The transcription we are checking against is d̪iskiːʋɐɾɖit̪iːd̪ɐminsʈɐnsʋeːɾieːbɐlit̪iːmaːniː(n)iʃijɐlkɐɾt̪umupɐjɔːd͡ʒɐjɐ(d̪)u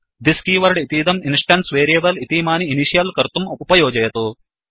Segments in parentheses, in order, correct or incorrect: correct, incorrect: t̪

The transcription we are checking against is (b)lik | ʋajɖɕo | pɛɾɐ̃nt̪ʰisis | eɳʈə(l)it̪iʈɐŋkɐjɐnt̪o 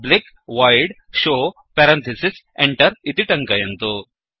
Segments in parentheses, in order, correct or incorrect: correct, incorrect: ɾ

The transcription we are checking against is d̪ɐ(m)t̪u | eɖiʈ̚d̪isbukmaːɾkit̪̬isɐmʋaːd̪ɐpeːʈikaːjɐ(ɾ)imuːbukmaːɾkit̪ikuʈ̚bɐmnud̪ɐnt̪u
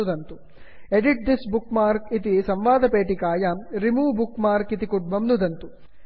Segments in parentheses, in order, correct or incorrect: incorrect: n, correct

